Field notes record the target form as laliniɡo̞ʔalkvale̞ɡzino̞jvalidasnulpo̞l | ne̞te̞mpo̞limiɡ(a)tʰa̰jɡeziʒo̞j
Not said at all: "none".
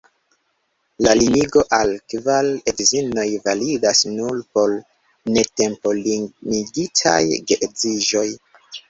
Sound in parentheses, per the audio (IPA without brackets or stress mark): i